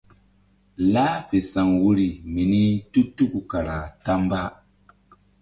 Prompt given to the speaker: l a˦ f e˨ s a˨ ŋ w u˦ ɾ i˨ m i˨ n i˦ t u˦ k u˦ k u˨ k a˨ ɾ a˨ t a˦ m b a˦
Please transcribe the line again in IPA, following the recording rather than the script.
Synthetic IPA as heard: l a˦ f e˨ s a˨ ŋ w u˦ ɾ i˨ m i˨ n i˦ t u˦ t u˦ k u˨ k a˨ ɾ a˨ t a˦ m b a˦